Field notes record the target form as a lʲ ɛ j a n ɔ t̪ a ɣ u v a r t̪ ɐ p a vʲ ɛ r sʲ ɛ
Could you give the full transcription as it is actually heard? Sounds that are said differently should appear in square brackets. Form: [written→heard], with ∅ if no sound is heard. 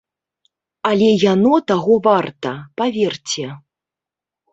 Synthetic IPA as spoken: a lʲ ɛ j a n ɔ t̪ a ɣ [u→ɔ] v a r t̪ ɐ p a vʲ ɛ r [sʲ→t͡sʲ] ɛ